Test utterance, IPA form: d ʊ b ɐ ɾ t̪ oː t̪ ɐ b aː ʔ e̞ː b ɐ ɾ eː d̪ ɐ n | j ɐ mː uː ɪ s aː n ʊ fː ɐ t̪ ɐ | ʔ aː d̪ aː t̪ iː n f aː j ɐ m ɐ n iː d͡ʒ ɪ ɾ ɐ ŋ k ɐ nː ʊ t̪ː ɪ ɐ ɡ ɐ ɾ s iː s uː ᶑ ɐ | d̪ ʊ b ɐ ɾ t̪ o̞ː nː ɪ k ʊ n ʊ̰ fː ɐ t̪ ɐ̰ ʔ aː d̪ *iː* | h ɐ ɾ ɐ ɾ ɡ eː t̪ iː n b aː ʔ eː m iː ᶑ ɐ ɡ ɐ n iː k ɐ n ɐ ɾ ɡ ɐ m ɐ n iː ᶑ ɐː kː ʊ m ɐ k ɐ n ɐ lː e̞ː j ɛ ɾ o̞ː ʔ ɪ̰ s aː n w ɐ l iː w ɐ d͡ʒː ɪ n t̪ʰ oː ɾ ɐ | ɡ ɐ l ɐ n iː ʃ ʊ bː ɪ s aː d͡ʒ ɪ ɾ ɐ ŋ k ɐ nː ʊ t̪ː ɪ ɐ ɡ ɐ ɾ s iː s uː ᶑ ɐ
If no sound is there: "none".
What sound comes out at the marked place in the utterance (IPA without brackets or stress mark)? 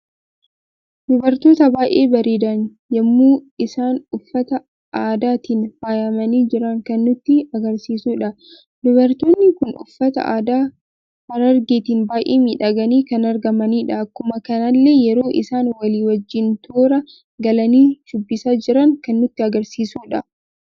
aː